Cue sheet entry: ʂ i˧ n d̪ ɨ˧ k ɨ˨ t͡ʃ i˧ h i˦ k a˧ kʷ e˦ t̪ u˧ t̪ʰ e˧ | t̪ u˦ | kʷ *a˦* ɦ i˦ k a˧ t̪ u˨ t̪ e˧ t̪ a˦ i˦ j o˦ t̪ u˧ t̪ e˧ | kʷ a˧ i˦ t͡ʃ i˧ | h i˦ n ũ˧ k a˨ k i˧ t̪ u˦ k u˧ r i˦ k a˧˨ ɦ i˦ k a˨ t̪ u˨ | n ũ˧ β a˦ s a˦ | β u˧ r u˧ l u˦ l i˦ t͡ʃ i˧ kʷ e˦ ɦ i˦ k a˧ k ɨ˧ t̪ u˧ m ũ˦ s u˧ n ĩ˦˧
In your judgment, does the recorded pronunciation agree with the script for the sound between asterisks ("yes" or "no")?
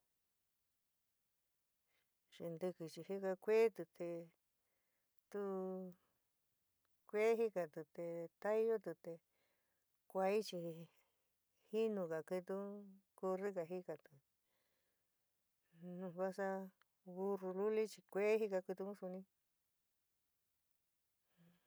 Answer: no